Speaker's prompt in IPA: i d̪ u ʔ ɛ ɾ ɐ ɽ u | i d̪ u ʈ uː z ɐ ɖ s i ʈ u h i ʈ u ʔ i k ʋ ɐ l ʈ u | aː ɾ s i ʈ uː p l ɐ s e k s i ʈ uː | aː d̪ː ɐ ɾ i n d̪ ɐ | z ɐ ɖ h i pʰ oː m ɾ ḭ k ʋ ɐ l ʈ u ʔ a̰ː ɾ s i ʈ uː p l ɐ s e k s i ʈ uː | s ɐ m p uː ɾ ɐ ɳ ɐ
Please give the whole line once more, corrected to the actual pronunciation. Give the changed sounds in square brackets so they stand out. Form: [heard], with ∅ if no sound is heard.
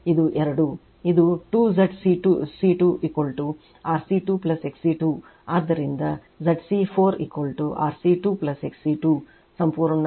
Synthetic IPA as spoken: i d̪ u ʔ ɛ ɾ ɐ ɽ u | i d̪ u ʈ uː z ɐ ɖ s i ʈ u [s] i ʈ u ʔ i k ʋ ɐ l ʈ u | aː ɾ s i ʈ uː p l ɐ s e k s i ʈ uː | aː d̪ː ɐ ɾ i n d̪ ɐ | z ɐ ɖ [s] i pʰ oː [∅] ɾ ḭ k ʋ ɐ l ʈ u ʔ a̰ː ɾ s i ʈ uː p l ɐ s e k s i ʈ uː | s ɐ m p uː ɾ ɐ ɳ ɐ